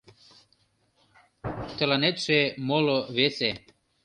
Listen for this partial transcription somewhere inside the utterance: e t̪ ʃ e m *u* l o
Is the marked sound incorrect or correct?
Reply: incorrect